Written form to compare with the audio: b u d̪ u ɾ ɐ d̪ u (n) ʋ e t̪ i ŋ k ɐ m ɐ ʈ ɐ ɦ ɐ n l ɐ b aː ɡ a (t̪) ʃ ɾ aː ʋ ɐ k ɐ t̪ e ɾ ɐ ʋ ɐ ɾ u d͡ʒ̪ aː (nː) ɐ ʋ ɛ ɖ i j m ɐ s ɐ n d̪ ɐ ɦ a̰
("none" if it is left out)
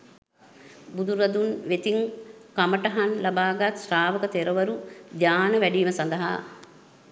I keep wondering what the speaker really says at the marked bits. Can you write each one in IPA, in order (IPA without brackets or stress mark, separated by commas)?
n, t̪, n